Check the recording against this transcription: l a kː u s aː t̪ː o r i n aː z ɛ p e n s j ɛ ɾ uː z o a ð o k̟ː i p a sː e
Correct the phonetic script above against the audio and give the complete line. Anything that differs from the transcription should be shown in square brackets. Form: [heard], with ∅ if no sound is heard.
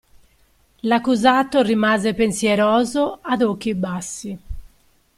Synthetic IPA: l a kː u [z] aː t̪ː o r i [m] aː z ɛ p e n s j ɛ ɾ [ɔː] z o a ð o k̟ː i [b] a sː [i]